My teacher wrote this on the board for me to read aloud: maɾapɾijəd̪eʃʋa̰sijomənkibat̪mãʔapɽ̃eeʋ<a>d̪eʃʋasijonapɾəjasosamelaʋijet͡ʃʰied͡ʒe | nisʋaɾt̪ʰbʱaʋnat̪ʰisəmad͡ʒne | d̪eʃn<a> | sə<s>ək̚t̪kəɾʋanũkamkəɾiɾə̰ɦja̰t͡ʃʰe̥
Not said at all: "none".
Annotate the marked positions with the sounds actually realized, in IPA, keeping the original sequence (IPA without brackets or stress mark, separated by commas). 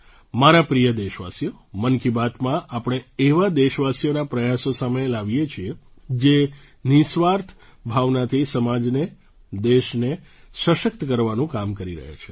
a, e, ʃ